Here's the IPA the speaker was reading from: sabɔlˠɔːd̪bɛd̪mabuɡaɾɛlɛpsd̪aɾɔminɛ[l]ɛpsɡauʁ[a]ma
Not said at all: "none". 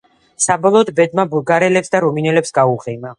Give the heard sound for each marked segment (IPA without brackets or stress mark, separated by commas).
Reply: l, ɛ